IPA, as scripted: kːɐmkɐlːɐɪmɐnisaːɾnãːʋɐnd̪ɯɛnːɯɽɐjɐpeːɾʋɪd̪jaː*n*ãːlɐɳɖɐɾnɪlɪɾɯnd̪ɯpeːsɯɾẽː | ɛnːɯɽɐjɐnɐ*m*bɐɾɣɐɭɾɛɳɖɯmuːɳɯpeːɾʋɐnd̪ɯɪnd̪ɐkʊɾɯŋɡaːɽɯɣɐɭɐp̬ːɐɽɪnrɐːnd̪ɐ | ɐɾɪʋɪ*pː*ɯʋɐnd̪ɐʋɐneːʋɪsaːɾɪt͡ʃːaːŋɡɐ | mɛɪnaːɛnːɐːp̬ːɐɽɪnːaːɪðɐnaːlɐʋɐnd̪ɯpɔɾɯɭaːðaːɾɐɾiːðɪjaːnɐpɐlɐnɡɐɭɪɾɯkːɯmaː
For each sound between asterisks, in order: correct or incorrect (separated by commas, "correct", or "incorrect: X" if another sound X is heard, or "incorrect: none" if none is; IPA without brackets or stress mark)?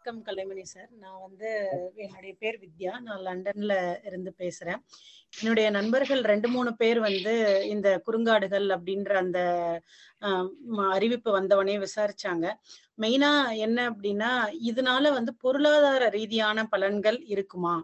correct, incorrect: n, correct